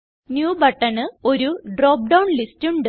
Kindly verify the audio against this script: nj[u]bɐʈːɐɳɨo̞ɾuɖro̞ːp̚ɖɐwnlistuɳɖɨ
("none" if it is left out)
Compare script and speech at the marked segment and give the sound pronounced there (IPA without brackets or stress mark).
uː